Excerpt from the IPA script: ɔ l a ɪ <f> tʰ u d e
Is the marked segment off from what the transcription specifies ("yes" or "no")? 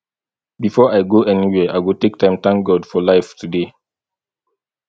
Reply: no